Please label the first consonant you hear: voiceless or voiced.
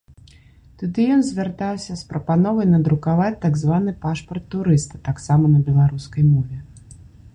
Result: voiceless